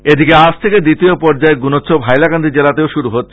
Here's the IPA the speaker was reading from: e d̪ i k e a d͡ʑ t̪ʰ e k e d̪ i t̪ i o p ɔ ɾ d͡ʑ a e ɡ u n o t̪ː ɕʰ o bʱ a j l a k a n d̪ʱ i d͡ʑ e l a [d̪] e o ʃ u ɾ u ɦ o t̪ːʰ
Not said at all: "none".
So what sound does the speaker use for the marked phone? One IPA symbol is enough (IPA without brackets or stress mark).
t̪